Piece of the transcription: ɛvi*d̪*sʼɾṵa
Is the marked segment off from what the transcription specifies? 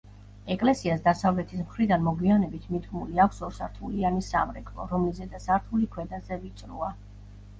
yes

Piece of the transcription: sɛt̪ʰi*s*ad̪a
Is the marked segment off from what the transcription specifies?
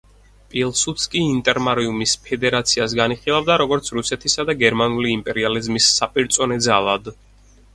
no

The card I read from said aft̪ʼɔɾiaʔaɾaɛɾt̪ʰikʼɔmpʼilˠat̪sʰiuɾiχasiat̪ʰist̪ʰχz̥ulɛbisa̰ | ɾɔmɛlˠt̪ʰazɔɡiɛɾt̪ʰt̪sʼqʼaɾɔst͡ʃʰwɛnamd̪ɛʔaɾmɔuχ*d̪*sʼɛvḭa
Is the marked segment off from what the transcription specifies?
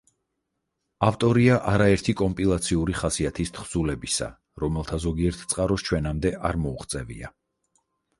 yes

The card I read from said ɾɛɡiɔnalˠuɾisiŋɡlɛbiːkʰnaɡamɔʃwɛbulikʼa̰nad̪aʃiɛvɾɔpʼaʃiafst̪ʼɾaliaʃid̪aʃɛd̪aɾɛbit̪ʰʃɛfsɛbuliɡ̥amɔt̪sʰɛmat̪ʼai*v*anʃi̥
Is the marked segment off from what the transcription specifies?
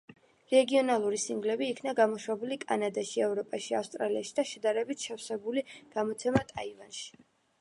no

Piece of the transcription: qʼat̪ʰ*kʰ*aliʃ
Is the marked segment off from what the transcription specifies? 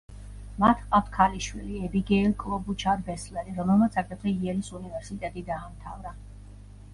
no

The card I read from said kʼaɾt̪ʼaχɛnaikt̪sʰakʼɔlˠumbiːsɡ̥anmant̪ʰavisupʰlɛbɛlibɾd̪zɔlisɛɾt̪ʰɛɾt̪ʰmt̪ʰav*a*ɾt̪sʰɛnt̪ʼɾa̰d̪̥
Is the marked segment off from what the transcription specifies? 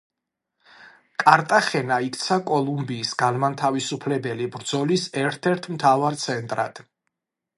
no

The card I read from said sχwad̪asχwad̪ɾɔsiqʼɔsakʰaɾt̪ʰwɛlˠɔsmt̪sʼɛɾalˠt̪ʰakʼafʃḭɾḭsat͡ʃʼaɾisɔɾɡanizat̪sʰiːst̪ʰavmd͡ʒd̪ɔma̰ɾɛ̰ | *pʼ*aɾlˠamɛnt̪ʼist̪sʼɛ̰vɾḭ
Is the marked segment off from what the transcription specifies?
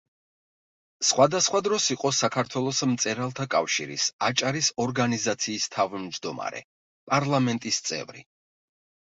no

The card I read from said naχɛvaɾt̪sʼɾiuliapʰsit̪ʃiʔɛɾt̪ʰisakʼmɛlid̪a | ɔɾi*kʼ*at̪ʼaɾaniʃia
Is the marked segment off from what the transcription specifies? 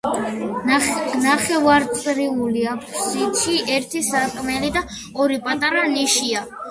yes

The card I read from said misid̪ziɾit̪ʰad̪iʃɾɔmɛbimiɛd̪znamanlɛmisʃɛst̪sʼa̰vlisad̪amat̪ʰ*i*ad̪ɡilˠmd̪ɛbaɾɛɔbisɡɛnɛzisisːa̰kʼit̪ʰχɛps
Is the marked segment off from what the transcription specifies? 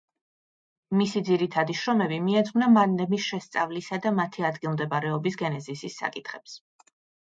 no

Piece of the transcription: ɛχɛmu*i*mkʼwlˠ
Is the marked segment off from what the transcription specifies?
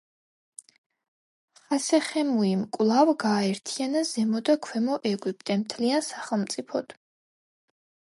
no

